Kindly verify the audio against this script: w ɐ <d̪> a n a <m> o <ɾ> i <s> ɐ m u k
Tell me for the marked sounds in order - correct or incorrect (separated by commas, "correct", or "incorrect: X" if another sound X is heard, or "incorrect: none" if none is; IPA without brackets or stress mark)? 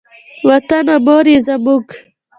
incorrect: t̪, correct, correct, incorrect: z